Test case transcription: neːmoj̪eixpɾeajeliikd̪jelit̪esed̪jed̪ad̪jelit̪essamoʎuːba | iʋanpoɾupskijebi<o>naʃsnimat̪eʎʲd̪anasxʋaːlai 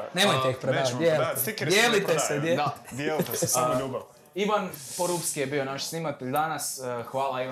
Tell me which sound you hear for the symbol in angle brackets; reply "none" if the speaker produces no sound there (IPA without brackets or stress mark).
o